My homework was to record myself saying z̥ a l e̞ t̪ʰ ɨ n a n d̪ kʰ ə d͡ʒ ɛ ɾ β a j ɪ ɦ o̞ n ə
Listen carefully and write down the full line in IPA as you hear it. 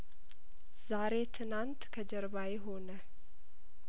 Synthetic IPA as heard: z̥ a ɾ e̞ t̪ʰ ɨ n a n t̪ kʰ ə d͡ʒ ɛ ɾ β a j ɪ ɦ o̞ n ə